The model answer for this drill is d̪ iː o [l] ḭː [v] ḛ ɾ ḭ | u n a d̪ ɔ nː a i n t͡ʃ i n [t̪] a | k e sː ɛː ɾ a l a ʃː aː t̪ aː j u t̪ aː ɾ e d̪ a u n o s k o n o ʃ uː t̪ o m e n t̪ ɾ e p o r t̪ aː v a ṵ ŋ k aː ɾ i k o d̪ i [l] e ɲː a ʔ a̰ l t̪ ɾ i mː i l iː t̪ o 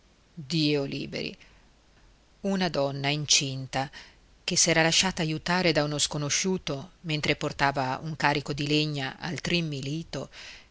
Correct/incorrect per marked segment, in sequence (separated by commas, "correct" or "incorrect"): correct, incorrect, correct, correct